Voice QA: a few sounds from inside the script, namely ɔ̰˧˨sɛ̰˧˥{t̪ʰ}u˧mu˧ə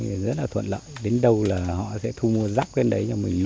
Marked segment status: correct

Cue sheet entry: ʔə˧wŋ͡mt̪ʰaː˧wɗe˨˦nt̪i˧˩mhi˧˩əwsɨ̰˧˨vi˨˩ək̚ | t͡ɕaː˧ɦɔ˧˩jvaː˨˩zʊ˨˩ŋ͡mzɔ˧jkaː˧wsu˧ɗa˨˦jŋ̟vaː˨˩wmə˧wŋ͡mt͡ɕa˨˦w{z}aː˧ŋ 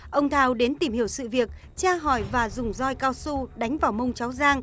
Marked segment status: correct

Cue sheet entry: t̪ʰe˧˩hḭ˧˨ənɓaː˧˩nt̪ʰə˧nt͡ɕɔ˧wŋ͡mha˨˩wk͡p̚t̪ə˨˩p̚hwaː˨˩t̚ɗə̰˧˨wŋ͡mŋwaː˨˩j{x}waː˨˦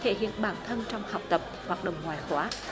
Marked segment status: correct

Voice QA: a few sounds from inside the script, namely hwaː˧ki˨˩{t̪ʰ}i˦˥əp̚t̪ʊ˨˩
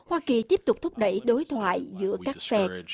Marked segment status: incorrect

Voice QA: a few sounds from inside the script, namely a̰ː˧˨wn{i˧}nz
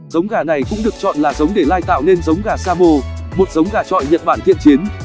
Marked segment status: incorrect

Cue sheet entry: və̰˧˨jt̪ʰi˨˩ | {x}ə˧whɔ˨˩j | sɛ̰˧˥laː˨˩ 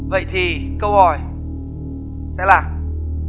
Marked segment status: incorrect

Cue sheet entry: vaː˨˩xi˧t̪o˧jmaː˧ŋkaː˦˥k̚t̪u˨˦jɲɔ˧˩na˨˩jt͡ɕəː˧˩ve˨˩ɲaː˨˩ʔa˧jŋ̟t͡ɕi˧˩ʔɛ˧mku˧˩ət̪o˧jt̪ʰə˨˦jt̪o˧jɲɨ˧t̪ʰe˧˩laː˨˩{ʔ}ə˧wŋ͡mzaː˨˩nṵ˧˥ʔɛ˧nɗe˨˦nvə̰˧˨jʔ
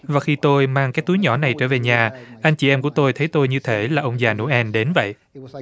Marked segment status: correct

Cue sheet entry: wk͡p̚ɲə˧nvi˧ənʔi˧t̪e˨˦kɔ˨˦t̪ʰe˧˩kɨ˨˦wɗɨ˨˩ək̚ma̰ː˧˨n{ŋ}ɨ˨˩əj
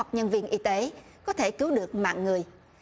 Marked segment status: correct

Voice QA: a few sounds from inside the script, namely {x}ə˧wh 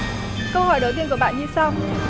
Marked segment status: incorrect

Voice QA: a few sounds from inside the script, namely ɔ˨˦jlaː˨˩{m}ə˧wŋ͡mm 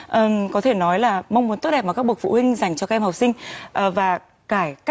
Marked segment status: correct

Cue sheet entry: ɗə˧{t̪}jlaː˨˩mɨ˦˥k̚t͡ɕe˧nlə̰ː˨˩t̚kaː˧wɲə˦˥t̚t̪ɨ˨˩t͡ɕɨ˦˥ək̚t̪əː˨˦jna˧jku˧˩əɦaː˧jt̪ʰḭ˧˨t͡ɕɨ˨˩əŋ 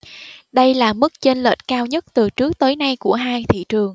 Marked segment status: incorrect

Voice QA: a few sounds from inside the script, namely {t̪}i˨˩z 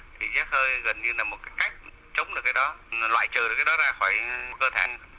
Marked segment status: incorrect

